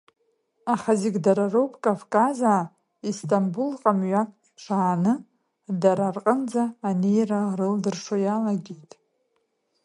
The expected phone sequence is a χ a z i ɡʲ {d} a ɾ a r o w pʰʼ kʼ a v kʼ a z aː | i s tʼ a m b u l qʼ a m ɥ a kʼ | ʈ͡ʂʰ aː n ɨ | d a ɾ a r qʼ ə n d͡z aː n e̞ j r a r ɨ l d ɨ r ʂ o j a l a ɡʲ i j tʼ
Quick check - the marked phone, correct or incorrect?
correct